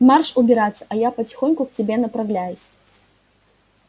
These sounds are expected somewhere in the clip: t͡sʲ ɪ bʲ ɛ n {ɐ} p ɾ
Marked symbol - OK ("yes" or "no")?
yes